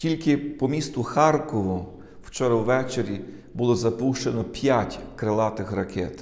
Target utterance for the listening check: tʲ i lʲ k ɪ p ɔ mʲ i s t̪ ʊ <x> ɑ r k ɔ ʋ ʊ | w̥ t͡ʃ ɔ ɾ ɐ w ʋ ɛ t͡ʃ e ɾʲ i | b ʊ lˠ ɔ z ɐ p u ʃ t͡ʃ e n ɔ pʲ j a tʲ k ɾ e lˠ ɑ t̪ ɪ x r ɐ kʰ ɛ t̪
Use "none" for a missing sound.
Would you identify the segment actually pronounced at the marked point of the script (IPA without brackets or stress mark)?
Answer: x